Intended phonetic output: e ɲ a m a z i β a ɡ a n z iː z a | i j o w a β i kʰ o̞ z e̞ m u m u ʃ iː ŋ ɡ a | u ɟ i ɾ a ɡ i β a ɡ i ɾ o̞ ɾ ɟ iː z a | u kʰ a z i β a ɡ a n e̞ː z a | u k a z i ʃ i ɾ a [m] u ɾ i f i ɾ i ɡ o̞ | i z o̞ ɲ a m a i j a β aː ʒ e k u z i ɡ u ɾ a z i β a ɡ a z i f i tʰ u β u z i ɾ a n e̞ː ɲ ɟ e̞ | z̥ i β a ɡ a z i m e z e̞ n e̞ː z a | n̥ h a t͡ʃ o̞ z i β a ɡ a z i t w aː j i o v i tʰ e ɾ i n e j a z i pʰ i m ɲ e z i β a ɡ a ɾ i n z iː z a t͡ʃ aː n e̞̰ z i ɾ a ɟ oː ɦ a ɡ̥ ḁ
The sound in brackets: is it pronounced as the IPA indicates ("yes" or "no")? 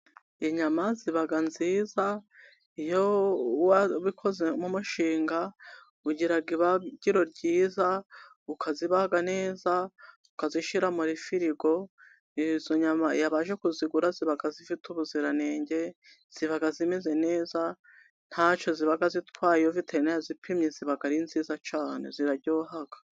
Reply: yes